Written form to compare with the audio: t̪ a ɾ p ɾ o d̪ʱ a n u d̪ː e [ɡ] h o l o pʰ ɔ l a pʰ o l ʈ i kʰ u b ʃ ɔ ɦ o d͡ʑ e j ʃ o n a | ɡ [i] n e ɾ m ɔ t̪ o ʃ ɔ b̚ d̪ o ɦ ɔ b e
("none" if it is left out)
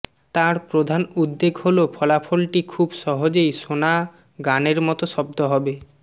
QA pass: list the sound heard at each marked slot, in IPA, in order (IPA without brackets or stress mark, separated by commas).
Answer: ɡ, a